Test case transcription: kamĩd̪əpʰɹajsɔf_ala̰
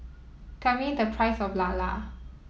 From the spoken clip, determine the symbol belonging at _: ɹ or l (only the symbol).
l